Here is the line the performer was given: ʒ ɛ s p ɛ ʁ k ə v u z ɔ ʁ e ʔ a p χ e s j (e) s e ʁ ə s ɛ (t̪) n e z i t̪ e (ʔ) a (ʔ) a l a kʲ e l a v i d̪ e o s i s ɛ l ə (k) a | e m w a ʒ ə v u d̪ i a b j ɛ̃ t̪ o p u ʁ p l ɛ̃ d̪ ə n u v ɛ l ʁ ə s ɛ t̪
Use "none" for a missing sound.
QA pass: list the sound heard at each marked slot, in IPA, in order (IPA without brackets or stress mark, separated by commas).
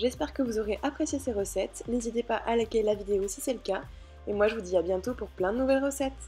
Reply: e, t̪, p, ʔ, k